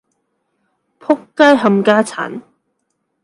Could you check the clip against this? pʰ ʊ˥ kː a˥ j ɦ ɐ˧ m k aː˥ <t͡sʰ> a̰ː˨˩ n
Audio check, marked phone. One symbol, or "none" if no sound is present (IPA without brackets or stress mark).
t͡sʰ